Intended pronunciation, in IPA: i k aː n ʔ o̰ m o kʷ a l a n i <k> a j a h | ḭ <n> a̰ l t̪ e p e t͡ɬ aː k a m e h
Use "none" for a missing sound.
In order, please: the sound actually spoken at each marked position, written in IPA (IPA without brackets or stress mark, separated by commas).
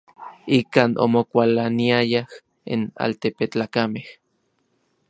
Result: none, n